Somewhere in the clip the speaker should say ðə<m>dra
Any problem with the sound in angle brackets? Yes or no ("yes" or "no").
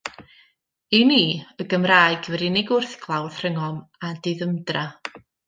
no